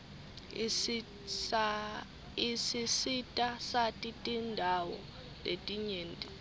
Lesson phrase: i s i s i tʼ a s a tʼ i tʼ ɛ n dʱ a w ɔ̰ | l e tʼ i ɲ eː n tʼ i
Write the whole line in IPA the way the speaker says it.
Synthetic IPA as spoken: i s i s i tʼ a s a tʼ i tʼ i n dʱ a w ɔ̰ | l e tʼ i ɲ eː n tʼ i